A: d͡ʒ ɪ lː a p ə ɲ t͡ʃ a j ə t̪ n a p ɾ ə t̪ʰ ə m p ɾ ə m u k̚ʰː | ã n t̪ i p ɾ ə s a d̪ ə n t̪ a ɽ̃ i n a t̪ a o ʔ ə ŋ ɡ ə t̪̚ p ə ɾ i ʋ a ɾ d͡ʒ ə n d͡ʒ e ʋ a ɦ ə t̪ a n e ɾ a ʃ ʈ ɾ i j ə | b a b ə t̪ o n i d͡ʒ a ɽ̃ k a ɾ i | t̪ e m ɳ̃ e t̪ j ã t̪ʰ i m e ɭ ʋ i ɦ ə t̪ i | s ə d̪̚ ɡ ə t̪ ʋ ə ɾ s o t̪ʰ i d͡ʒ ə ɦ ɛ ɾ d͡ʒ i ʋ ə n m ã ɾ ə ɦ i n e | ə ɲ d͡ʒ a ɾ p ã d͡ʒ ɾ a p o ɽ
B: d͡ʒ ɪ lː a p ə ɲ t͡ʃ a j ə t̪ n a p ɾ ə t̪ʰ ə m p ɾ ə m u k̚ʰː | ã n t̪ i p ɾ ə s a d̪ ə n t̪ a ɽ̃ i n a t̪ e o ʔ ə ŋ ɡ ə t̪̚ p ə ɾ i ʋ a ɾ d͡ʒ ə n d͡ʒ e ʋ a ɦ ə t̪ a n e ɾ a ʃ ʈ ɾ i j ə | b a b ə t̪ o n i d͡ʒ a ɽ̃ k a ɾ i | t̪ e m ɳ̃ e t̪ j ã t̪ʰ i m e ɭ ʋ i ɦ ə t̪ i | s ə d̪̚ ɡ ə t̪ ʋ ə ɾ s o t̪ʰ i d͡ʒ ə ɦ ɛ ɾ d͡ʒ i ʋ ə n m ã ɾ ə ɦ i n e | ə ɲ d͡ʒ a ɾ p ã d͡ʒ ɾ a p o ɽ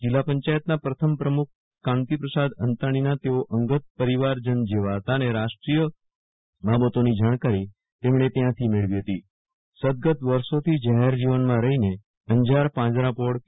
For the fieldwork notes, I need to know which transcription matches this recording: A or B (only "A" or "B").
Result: B